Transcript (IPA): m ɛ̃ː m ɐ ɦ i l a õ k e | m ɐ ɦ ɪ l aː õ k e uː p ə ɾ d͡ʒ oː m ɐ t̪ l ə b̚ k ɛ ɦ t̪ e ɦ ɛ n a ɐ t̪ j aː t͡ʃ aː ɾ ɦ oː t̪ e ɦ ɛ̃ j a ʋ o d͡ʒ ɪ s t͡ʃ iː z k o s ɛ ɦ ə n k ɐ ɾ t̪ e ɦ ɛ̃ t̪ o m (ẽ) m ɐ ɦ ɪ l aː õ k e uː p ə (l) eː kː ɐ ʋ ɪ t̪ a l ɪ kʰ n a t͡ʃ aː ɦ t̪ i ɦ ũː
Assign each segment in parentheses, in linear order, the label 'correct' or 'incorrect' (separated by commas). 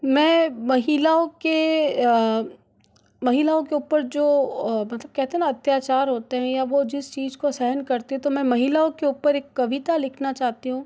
incorrect, incorrect